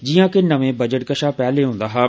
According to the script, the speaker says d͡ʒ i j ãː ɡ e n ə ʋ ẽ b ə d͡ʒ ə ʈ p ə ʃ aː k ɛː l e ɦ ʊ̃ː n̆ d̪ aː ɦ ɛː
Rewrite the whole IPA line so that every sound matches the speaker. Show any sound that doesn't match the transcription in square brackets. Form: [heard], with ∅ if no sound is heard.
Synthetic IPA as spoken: d͡ʒ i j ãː [k] e n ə ʋ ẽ b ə d͡ʒ ə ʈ [k] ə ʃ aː [p] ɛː l e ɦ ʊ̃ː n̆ d̪ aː ɦ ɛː